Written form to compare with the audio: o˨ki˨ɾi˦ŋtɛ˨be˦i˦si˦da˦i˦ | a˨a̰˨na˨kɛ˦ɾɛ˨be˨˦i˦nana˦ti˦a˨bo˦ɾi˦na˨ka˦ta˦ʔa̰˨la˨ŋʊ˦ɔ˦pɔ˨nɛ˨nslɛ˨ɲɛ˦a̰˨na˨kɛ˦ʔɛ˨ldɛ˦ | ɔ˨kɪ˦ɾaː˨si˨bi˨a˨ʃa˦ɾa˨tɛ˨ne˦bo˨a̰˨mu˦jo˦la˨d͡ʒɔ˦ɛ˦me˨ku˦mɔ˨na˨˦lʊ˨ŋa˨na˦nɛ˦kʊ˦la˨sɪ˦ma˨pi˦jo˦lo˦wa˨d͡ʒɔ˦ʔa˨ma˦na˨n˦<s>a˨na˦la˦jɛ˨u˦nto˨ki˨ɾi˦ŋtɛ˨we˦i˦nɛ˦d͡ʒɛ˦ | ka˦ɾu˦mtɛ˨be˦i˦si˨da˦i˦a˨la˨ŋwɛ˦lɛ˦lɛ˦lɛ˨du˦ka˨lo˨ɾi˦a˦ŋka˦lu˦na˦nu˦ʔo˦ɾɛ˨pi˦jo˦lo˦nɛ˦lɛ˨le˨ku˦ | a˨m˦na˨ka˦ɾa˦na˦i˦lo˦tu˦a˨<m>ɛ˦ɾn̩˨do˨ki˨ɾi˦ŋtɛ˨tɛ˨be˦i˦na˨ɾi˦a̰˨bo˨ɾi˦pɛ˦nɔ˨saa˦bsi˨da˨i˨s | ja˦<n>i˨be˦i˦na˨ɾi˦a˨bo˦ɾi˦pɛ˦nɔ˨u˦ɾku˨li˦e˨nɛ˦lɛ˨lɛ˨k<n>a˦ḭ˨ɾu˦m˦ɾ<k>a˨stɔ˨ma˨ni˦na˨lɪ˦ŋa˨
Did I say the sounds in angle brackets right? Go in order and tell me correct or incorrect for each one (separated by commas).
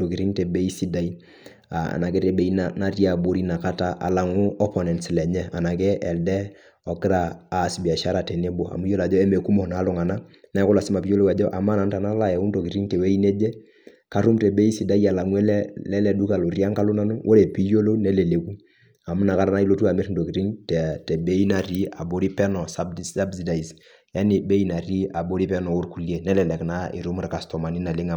incorrect, correct, correct, correct, correct